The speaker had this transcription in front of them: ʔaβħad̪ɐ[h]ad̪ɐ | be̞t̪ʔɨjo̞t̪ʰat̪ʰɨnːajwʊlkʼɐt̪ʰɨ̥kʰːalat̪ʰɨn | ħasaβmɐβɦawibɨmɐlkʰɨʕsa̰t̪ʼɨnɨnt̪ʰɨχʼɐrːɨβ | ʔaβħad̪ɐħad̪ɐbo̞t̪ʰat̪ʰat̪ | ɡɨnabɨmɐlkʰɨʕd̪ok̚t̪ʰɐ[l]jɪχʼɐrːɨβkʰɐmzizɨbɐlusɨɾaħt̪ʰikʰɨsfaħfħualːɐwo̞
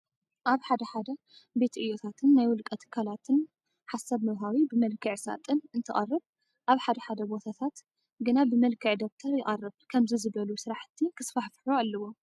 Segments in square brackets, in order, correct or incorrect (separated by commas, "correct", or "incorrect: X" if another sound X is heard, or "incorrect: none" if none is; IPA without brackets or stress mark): incorrect: ħ, incorrect: ɾ